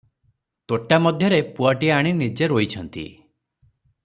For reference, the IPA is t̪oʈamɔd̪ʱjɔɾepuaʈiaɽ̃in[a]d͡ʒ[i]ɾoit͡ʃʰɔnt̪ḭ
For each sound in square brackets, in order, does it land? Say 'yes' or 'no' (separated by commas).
no, no